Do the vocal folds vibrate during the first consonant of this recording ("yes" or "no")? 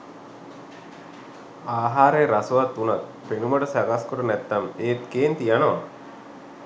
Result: yes